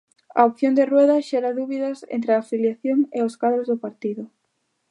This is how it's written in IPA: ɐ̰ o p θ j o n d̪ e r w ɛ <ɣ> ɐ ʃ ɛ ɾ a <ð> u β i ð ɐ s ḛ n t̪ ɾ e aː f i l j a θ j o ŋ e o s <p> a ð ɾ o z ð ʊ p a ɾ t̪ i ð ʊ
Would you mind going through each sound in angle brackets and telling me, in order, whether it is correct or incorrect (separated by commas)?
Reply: incorrect, correct, incorrect